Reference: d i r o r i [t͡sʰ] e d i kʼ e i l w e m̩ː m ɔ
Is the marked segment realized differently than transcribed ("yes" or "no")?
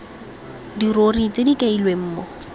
yes